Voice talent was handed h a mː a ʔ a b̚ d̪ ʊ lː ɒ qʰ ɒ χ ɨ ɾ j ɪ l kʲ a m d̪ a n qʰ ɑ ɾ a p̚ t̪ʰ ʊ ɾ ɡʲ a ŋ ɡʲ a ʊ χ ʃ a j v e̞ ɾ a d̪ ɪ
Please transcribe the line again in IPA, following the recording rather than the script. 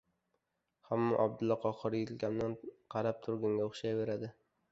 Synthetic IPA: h a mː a ʔ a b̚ d̪ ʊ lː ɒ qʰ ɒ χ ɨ ɾ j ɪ l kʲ a m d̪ a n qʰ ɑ ɾ a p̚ t̪ʰ ʊ ɾ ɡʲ a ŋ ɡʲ a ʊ χ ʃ a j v e̞ ɾ a d̪ ɪ